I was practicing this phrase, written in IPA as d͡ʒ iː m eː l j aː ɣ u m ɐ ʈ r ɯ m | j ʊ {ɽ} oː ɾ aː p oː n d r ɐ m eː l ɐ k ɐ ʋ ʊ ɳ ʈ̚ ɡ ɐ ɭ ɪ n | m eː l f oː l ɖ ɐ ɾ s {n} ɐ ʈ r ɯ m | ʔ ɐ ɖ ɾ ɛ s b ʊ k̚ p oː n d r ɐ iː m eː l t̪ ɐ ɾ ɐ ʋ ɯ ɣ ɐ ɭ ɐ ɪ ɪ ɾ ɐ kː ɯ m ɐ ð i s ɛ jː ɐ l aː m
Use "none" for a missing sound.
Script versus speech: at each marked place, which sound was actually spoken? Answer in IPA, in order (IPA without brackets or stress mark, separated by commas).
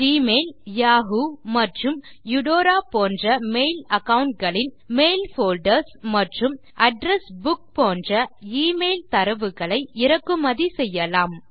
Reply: ɽ, m